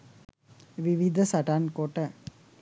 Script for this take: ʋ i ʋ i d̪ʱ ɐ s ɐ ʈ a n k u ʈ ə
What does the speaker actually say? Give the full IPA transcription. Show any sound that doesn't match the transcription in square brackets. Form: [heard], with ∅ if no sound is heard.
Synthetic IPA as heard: ʋ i ʋ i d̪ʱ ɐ s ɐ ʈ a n k [o] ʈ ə

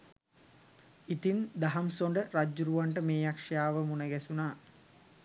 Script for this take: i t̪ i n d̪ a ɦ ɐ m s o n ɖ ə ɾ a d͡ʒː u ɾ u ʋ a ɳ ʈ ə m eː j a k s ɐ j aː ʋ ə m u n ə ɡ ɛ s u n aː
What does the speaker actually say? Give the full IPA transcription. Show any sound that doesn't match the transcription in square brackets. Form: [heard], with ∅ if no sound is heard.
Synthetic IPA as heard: i t̪ i n d̪ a ɦ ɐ m s o [ɳ] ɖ ə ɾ a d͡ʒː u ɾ u ʋ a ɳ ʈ ə m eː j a k [ʂ] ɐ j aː ʋ ə m u n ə ɡ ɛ s u n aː

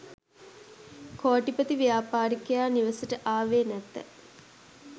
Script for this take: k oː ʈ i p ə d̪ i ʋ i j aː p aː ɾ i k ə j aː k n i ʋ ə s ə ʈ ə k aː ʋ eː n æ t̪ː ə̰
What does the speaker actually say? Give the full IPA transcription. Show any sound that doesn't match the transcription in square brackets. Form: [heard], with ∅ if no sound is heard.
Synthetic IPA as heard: k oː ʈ i p ə [t̪] i ʋ i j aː p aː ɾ i k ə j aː [∅] n i ʋ ə s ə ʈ ə [ʔ] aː ʋ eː n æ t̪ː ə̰

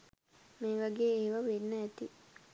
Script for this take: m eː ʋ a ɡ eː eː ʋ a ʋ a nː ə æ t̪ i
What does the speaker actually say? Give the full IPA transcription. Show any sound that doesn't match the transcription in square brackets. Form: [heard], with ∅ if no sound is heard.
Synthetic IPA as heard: m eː ʋ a ɡ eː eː ʋ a ʋ [e] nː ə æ t̪ i

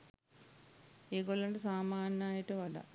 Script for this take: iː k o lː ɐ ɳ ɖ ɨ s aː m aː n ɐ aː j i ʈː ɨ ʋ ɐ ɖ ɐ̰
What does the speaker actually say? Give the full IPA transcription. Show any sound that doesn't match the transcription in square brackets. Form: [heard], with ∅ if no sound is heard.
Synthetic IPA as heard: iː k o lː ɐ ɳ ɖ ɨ s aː m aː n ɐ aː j i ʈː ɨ ʋ ɐ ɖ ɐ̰

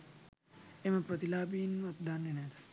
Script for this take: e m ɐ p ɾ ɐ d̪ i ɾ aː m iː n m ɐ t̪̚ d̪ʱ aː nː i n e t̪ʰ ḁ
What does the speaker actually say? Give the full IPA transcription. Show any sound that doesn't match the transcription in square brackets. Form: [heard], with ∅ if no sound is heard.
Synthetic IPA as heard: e m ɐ p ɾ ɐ [t̪] i [l] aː [b] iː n m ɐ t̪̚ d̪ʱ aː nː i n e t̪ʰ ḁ

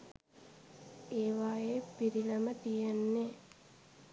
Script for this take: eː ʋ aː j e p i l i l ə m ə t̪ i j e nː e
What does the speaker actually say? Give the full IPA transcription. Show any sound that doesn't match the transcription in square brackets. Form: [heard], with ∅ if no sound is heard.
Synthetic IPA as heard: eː ʋ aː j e p i [ɾ] i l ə m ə t̪ i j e nː e

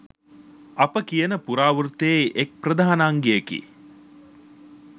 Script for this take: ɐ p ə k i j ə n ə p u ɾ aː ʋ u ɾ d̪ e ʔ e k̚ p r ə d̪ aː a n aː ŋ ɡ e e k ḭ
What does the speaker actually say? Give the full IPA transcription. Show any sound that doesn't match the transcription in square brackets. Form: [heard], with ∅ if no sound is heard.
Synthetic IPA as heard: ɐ p ə k i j ə n ə p u ɾ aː ʋ u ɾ [t̪] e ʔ e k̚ p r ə d̪ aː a n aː ŋ ɡ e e k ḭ

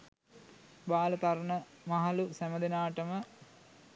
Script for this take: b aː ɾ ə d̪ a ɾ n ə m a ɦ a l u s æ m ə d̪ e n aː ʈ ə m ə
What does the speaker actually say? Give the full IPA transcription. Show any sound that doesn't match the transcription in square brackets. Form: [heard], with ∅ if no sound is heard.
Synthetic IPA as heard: b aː [l] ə [t̪] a ɾ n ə m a ɦ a l u s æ m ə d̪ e n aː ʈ ə m ə

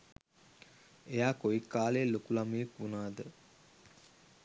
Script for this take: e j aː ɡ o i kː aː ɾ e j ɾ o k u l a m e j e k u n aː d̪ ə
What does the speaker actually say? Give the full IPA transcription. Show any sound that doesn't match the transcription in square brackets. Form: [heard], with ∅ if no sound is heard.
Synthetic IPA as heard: e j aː [k] o i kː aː [l] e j [l] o k u l a m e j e k u n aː d̪ ə

